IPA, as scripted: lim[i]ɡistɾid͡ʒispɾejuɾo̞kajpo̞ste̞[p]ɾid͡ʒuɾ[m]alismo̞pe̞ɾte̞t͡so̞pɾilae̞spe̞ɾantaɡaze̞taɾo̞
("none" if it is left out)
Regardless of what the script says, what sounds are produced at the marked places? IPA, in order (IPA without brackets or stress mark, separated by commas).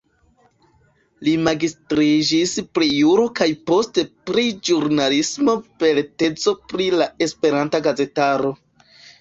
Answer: a, p, n